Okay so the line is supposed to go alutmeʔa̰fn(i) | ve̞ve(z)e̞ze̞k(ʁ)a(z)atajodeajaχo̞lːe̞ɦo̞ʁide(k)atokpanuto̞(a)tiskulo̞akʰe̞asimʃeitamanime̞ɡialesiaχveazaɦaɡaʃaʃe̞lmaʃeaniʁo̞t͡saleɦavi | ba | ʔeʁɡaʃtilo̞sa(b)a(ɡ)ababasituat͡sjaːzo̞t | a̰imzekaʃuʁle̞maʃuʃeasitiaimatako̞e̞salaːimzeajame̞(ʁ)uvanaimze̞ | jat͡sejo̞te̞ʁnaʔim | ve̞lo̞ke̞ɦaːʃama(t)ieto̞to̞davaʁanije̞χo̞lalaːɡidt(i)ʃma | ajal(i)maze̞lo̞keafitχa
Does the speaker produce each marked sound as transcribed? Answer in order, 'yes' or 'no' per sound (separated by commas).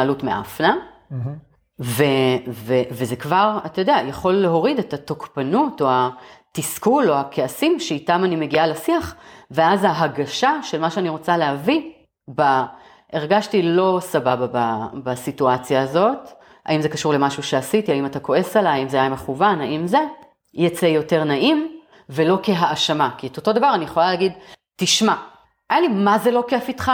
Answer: no, no, no, no, no, yes, yes, no, no, no, yes, yes